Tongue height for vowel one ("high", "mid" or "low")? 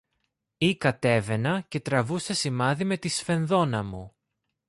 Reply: high